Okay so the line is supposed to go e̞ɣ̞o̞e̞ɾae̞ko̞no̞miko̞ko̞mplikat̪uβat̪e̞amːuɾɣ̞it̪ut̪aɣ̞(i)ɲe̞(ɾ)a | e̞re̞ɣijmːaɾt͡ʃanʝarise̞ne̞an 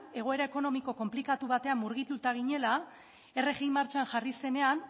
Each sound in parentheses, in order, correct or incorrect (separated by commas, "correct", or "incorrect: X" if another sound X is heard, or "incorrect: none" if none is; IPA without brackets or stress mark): correct, incorrect: l